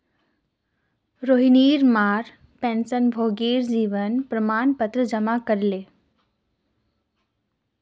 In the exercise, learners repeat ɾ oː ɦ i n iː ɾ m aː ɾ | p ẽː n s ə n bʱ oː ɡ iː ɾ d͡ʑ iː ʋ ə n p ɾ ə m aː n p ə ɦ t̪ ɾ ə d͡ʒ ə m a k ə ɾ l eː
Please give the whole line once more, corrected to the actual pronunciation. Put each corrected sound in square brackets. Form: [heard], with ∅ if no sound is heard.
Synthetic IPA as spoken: ɾ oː ɦ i n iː ɾ m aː ɾ | p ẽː n s ə n bʱ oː ɡ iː ɾ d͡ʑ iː ʋ ə n p ɾ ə m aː n p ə [∅] t̪ ɾ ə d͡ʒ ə m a k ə ɾ l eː